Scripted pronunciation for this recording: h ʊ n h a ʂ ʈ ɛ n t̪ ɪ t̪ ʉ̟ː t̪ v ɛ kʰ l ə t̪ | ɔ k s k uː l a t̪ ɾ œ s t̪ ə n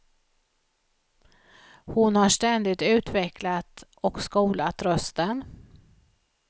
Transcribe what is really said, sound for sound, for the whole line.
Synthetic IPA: h ʊ n h a ʂ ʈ ɛ n d̪ ɪ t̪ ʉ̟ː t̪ v ɛ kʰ l a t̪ | ɔ k s k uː l a t̪ ɾ œ s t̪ ə n